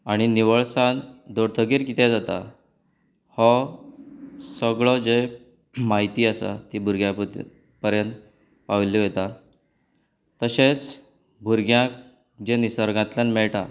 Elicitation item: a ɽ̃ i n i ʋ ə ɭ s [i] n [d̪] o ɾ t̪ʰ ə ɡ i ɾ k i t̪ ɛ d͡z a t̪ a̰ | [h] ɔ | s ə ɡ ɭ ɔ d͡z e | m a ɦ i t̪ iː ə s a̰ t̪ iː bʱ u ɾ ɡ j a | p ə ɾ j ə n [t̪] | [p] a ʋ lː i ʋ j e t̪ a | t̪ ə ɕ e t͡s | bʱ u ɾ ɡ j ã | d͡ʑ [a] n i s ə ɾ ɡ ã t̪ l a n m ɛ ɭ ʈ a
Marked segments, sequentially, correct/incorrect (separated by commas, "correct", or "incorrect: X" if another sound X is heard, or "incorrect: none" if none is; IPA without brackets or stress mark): incorrect: a, correct, correct, correct, correct, incorrect: e